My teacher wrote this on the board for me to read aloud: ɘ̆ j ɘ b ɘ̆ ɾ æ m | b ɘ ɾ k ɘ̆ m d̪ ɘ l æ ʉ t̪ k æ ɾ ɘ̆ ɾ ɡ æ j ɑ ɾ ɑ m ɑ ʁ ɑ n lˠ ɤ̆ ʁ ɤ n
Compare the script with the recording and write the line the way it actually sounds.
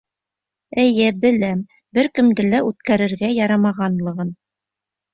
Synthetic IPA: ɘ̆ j ɘ b ɘ̆ l æ m | b ɘ ɾ k ɘ̆ m d̪ ɘ l æ ʉ t̪ k æ ɾ ɘ̆ ɾ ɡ æ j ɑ ɾ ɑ m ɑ ʁ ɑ n lˠ ɤ̆ ʁ ɤ n